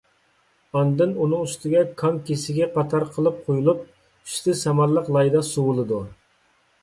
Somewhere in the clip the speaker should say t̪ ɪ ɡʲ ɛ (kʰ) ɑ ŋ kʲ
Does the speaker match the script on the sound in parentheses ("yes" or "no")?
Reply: yes